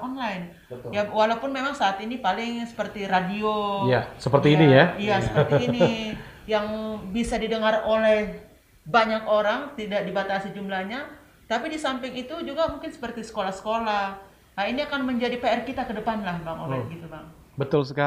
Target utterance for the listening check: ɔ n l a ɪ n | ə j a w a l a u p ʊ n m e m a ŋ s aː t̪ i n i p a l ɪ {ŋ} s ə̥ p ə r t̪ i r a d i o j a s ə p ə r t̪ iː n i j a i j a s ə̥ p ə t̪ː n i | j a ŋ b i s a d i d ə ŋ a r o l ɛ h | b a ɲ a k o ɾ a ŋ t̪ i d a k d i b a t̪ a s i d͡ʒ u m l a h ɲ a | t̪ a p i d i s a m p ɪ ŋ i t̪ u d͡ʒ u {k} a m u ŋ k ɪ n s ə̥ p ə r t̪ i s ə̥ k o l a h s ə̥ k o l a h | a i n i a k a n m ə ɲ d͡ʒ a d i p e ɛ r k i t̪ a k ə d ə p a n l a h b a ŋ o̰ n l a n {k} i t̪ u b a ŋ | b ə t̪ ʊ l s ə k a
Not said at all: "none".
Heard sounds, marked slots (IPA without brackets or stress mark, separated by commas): ŋ, ɡ, ɡ